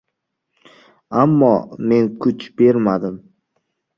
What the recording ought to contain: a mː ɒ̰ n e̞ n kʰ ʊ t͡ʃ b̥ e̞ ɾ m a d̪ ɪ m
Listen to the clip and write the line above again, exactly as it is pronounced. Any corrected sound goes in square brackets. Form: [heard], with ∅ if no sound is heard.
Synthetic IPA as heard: a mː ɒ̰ [m] e̞ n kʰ ʊ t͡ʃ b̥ e̞ ɾ m a d̪ ɪ m